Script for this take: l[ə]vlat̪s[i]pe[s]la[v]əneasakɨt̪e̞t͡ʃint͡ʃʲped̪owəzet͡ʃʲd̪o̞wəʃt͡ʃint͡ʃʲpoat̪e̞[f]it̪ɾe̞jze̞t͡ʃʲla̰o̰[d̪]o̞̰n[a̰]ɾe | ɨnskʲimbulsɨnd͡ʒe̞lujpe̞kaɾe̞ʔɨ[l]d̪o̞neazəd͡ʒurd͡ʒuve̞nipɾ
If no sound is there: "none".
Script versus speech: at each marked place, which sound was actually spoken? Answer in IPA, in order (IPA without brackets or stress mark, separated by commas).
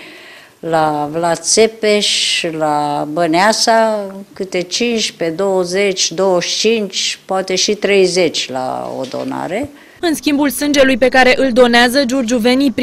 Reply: a, e, ʃ, b, ʃ, d̪, a̰, l